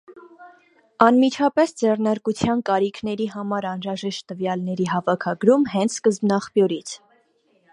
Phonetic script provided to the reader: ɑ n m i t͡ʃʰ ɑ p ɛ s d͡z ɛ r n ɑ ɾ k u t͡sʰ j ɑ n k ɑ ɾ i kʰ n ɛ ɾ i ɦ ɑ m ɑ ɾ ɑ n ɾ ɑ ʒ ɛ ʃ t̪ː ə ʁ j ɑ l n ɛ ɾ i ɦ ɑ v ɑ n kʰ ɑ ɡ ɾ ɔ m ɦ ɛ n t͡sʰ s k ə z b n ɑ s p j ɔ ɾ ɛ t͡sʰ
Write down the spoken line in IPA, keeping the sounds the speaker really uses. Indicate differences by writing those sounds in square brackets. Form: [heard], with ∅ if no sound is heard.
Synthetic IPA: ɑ n m i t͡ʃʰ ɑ p ɛ s d͡z ɛ r n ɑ ɾ k u t͡sʰ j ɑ n k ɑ ɾ i kʰ n ɛ ɾ i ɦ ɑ m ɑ ɾ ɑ n ɾ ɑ ʒ ɛ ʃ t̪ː ə [v] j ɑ l n ɛ ɾ i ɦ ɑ v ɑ [∅] kʰ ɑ ɡ ɾ [u] m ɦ ɛ n t͡sʰ s k ə z b n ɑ [χ] p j ɔ ɾ [i] t͡sʰ

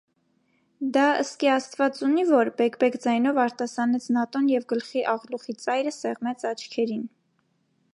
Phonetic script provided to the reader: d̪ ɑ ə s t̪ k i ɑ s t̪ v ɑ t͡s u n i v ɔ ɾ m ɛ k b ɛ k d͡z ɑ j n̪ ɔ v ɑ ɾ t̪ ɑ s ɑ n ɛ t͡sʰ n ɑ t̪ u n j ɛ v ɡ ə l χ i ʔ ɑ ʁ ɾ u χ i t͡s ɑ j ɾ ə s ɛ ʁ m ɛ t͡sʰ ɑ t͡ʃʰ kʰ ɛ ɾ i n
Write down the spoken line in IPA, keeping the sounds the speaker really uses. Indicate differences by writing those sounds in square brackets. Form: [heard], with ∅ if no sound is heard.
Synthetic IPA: d̪ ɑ ə s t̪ k i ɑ s t̪ v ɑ t͡s u n i v ɔ ɾ [b] ɛ k b ɛ k d͡z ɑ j n̪ ɔ v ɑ ɾ t̪ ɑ s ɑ n ɛ t͡sʰ n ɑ t̪ [ɔ] n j ɛ v ɡ ə l χ i ʔ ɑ ʁ [l] u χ i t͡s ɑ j ɾ ə s ɛ ʁ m ɛ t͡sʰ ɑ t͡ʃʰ kʰ ɛ ɾ i n

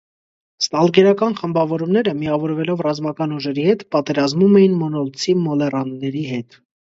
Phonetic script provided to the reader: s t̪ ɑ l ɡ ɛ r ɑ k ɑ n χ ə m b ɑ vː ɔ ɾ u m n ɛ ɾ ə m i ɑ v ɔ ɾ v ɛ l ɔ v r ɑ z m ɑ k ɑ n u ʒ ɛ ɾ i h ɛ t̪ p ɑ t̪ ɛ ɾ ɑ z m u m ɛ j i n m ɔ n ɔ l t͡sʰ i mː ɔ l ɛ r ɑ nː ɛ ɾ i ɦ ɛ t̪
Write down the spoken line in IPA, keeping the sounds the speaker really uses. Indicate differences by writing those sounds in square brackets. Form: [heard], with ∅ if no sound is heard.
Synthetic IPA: s t̪ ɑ l ɡ ɛ [ɾ] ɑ k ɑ n χ ə m b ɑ [v] ɔ ɾ u m n ɛ ɾ ə m i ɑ v ɔ ɾ v ɛ l ɔ v r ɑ z m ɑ k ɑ n u ʒ ɛ ɾ i h ɛ t̪ p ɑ t̪ ɛ ɾ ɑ z m u m ɛ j i n m ɔ n ɔ l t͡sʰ i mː ɔ l ɛ r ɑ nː ɛ ɾ i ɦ ɛ t̪

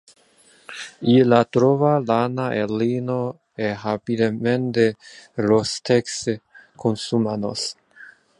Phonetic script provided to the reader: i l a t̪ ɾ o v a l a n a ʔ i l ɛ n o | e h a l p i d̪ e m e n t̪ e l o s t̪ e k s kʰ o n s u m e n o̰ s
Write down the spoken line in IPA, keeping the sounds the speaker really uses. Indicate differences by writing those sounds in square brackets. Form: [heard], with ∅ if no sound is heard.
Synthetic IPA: i l a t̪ ɾ o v a l a n a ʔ [e] l [i] n o | e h a [∅] p i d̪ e m e n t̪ e l o s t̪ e k s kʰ o n s u m [a] n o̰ s

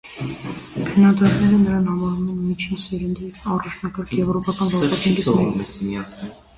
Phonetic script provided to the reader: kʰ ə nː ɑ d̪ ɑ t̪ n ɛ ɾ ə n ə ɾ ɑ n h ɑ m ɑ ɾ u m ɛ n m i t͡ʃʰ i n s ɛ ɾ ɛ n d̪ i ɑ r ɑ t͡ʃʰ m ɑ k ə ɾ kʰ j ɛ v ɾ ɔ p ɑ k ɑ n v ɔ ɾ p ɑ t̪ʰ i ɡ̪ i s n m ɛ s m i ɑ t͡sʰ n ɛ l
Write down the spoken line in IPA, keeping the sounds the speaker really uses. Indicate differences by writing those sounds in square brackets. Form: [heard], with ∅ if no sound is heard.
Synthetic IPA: kʰ ə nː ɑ d̪ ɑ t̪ n ɛ ɾ ə n ə ɾ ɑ n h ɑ m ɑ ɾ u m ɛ n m i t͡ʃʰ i n s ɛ ɾ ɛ n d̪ i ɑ r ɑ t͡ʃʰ [n] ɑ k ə ɾ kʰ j ɛ v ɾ ɔ p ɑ k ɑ n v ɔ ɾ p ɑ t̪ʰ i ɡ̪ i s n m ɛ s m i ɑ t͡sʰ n ɛ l

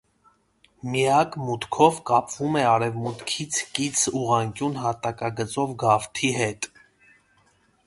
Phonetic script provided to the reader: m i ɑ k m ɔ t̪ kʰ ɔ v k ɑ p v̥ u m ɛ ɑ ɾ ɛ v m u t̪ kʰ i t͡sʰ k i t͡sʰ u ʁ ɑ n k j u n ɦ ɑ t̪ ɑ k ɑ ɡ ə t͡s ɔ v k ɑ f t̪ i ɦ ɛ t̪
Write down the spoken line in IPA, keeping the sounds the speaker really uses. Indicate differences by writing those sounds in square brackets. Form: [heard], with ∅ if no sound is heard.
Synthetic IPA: m i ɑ k m [u] t̪ kʰ ɔ v k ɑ p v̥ u m ɛ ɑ ɾ ɛ v m u t̪ kʰ i t͡sʰ k i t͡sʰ u ʁ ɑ [ŋ] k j u n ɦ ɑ t̪ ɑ k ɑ ɡ ə t͡s ɔ v [ɡ] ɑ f [t̪ʰ] i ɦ ɛ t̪

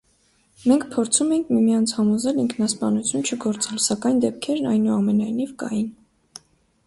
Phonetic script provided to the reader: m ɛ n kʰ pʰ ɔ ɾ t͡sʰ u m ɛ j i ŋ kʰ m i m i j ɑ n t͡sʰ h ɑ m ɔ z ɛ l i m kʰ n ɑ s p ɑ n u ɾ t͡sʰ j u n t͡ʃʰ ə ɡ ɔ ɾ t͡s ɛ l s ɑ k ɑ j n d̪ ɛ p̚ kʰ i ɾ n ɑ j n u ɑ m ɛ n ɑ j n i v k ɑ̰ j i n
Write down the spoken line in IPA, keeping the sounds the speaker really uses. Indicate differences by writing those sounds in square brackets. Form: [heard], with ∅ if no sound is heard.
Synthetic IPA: m ɛ [ŋ] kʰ pʰ ɔ ɾ t͡sʰ u m ɛ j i ŋ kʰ m i m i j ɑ n t͡sʰ h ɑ m ɔ z ɛ l i [ŋ] kʰ n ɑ s p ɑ n u [∅] t͡sʰ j u n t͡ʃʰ ə ɡ ɔ ɾ t͡s ɛ l s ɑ k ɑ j n d̪ ɛ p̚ kʰ [ɛ] ɾ n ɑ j n u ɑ m ɛ n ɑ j n i v k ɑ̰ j i n

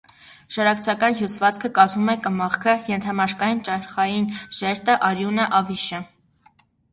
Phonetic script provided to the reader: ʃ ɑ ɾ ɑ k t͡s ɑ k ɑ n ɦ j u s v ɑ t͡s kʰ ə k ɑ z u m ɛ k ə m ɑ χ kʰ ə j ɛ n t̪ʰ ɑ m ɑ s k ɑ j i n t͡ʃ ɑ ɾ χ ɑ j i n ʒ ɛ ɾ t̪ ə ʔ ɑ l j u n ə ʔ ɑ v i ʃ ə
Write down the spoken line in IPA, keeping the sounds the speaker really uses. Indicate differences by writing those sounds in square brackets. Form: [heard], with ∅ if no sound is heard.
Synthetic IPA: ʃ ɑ ɾ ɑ k [t͡sʰ] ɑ k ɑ n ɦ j u s v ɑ t͡s kʰ ə k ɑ z u m ɛ k ə m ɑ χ kʰ ə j ɛ n t̪ʰ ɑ m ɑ [ʃ] k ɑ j i n t͡ʃ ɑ ɾ χ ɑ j i n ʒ ɛ ɾ t̪ ə ʔ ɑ [ɾ] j u n ə ʔ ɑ v i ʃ ə

